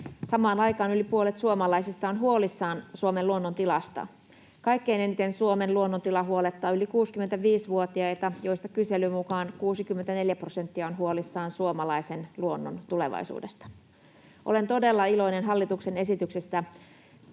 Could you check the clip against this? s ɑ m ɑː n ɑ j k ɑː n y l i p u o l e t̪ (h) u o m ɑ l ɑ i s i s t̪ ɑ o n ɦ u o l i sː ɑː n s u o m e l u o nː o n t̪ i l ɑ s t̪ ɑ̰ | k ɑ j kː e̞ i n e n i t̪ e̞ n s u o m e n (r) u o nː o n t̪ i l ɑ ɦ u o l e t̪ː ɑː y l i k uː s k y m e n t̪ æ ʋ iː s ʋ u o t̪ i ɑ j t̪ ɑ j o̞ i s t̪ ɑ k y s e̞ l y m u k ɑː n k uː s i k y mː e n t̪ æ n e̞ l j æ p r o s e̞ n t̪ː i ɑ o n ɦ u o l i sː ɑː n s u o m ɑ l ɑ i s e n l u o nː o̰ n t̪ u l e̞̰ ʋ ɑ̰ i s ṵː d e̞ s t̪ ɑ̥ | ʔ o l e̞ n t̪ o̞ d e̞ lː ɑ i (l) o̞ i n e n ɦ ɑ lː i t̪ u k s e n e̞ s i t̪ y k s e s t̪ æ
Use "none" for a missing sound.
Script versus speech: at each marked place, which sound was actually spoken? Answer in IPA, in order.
s, l, l

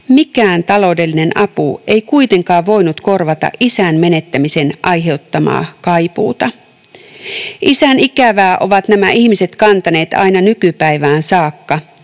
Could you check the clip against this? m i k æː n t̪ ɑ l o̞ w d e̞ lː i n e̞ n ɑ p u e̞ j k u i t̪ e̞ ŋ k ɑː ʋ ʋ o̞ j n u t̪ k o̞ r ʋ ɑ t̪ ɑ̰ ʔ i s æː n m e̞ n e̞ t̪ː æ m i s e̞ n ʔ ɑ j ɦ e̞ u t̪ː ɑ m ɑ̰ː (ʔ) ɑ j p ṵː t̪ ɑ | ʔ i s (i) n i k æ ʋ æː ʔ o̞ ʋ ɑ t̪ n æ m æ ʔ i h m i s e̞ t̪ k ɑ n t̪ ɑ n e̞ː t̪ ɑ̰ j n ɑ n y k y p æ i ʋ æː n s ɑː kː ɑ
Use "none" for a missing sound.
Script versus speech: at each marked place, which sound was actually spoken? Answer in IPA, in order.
k, æ

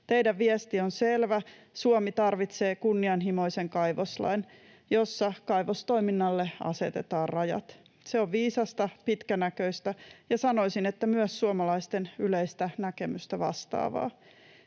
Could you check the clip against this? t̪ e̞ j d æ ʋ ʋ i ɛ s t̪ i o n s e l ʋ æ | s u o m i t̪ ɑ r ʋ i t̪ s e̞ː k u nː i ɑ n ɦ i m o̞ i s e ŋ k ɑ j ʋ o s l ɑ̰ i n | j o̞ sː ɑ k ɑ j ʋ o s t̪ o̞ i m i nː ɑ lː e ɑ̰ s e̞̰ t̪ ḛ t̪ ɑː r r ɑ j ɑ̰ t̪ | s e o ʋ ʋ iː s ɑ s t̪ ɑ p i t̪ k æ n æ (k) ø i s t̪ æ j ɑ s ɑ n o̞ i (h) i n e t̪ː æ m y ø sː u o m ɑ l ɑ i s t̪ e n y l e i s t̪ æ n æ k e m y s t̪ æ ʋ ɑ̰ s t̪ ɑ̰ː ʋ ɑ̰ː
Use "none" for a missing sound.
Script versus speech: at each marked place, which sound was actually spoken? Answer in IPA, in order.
k, s

